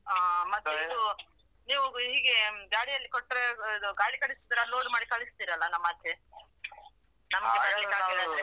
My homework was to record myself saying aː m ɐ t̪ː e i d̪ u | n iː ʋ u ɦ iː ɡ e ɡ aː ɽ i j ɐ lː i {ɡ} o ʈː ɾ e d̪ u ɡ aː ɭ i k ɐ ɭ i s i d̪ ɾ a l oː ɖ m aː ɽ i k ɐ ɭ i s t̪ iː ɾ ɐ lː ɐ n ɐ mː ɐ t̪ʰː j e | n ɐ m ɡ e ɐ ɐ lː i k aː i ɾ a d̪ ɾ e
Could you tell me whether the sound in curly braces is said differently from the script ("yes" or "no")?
yes